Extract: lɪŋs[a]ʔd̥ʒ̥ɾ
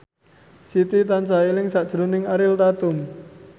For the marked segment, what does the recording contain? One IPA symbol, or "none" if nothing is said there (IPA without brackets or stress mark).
a